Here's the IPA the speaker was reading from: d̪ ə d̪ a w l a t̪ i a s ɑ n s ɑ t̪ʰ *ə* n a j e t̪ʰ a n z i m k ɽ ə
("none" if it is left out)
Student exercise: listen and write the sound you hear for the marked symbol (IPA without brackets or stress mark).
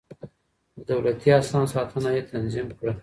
ə